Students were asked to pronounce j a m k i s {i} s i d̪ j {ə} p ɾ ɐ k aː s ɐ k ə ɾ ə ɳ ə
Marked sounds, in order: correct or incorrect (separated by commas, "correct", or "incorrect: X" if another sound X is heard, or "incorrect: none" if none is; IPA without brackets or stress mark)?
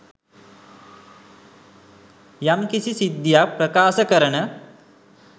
correct, incorrect: a